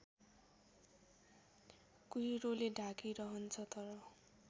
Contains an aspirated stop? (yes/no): yes